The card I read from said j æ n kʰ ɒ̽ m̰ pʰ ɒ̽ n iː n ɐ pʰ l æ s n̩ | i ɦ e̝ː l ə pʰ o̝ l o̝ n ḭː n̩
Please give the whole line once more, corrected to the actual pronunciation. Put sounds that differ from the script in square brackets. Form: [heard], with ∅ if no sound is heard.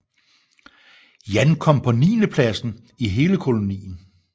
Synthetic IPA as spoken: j æ n kʰ ɒ̽ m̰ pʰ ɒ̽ n iː n [ə] pʰ l æ s n̩ | i ɦ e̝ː l ə [kʰ] o̝ l o̝ n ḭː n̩